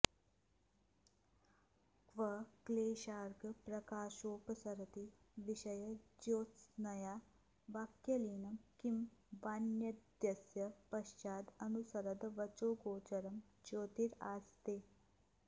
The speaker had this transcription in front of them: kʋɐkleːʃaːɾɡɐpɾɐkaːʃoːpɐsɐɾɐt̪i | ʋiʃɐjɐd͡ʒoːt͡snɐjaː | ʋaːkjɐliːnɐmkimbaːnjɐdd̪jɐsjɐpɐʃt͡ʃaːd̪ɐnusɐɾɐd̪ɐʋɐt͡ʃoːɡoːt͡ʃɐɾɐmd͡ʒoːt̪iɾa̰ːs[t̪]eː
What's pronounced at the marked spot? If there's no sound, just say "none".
t̪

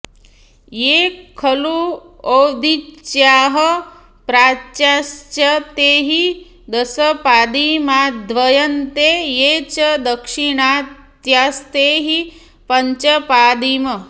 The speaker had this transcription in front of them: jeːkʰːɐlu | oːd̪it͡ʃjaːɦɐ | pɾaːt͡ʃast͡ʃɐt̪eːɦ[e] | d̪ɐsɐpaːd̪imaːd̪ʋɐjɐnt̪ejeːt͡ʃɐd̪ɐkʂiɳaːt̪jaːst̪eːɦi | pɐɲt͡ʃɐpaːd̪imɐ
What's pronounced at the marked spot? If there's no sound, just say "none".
i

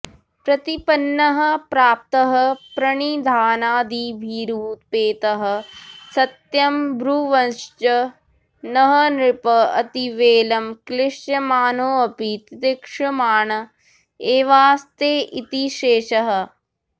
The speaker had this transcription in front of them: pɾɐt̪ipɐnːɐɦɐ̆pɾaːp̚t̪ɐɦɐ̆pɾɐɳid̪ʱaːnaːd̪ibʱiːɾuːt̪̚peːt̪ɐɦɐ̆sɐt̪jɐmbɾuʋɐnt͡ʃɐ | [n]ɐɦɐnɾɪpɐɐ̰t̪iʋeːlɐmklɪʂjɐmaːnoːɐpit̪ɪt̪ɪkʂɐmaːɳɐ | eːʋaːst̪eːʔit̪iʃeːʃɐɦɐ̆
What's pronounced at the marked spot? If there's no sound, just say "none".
n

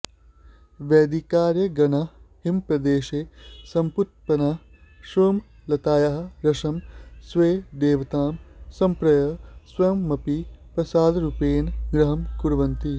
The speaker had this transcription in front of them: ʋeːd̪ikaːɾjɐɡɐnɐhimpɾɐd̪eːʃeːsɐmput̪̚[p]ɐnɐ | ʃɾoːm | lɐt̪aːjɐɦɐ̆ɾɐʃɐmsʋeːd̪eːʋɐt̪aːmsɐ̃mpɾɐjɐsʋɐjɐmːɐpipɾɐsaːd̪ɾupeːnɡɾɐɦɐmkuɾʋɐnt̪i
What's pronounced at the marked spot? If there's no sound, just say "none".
p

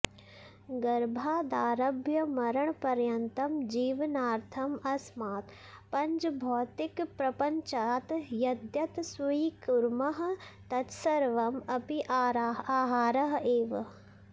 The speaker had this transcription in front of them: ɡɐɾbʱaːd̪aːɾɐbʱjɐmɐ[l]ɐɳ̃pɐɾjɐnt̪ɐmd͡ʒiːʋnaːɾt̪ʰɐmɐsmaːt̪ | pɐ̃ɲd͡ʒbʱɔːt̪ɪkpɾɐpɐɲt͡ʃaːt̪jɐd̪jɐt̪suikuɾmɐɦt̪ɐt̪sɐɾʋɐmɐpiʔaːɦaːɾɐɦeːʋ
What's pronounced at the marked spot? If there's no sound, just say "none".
ɾ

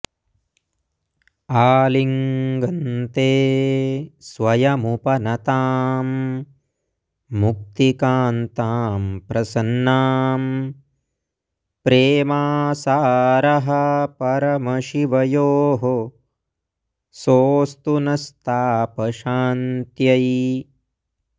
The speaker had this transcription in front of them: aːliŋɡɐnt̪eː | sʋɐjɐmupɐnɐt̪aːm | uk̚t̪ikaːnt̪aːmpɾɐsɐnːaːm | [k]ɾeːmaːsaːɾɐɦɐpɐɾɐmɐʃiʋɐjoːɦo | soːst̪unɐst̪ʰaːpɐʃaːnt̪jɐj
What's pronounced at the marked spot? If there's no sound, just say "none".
p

